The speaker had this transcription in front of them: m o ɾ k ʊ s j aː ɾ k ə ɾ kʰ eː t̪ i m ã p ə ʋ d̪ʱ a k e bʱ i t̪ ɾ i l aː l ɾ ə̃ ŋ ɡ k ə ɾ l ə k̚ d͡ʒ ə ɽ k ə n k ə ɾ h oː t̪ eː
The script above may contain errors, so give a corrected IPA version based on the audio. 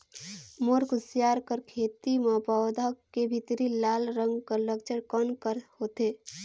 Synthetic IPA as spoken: m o ɾ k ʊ s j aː ɾ k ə ɾ kʰ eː t̪ i m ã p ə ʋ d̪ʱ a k e bʱ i t̪ ɾ i l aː l ɾ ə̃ ŋ ɡ k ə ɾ l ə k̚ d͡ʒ ə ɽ k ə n k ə ɾ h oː t̪ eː